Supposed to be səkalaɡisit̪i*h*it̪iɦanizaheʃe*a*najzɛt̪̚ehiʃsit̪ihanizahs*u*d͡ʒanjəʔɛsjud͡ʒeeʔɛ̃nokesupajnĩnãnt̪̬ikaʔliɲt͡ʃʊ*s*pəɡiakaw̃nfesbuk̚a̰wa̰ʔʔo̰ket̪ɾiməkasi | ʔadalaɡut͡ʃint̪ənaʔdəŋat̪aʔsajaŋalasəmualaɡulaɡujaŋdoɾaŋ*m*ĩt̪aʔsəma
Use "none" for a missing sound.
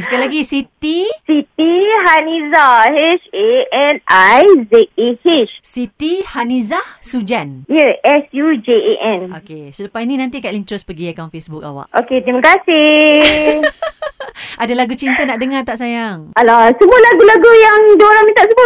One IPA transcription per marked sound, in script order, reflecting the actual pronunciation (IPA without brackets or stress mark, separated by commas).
s, ɛ, u, s, m